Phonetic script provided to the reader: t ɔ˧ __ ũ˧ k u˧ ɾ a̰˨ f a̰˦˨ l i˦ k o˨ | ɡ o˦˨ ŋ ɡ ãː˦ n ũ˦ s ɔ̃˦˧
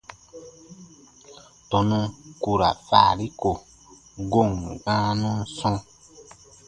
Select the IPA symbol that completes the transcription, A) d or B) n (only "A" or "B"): B